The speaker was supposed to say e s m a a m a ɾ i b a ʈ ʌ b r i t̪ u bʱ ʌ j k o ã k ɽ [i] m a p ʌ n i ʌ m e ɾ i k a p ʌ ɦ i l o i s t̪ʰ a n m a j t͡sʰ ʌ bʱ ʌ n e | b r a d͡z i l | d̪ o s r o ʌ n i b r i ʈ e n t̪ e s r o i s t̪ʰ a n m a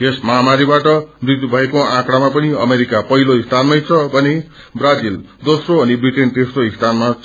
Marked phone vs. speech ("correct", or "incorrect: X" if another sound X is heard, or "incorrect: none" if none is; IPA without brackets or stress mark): incorrect: a